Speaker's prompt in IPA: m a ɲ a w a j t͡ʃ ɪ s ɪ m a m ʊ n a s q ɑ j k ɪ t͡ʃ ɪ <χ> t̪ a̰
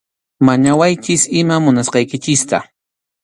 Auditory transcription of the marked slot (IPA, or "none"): s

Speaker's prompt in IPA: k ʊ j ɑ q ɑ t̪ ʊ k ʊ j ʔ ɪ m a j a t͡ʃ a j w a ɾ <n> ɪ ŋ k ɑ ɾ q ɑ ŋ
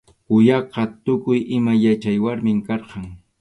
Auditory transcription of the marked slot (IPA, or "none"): m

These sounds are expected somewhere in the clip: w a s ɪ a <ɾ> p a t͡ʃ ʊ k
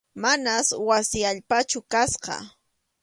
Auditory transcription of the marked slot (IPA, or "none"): ʎ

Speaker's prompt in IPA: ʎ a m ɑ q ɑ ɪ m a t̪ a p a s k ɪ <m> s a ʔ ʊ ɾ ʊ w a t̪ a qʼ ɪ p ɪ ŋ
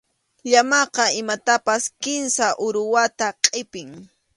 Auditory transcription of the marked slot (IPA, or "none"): n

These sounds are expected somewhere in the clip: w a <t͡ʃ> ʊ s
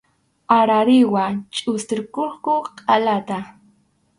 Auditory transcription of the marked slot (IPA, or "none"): t͡ʃʼ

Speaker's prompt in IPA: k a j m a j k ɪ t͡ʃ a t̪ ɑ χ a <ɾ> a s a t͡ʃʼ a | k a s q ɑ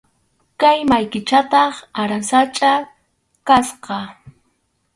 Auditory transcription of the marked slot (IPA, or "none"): ɾ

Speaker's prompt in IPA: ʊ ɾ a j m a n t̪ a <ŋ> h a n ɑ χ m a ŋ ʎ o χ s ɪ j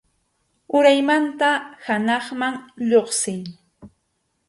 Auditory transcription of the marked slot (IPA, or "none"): none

